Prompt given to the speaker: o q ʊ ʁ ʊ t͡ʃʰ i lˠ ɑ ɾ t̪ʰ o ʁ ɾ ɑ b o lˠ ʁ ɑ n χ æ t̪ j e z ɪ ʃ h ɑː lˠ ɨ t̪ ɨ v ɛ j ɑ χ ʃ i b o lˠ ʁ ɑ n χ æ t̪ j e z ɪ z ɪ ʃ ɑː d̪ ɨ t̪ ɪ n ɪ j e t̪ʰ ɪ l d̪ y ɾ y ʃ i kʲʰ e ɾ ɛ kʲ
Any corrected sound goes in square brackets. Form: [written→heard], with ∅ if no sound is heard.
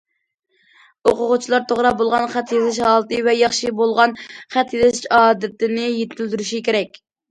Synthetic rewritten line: o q ʊ ʁ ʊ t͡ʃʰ i lˠ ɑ ɾ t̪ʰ o ʁ ɾ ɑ b o lˠ ʁ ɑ n χ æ t̪ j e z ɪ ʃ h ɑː lˠ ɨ t̪ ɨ v ɛ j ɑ χ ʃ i b o lˠ ʁ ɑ n χ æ t̪ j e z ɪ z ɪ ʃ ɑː d̪ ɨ t̪ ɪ n ɪ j e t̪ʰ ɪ l d̪ y ɾ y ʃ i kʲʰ e ɾ ɛ kʲ